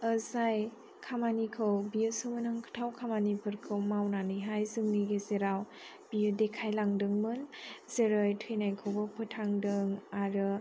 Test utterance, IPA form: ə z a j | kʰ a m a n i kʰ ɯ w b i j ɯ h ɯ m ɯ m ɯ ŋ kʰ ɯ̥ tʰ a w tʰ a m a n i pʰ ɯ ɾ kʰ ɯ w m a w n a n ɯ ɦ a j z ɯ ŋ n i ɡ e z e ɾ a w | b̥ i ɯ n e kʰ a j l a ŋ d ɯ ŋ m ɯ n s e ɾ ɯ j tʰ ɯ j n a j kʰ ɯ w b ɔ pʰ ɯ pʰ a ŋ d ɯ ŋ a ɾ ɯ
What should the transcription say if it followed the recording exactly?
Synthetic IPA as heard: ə z a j | kʰ a m a n i kʰ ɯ w b i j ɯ s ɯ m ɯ n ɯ ŋ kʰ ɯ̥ tʰ a w kʰ a m a n i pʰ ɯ ɾ kʰ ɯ w m a w n a n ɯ ɦ a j z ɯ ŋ n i ɡ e z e ɾ a w | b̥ i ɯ d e kʰ a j l a ŋ d ɯ ŋ m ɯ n z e ɾ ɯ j tʰ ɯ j n a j kʰ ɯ w b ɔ pʰ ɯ tʰ a ŋ d ɯ ŋ a ɾ ɯ